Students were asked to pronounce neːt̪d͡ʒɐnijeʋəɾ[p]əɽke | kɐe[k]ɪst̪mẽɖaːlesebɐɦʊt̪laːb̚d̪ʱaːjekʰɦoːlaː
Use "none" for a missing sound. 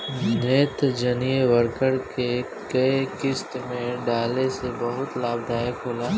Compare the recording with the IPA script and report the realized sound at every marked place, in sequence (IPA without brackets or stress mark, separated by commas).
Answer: k, k